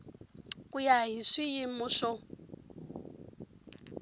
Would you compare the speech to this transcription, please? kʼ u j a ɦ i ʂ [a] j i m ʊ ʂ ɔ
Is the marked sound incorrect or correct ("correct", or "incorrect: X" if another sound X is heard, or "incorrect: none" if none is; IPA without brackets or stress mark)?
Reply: incorrect: i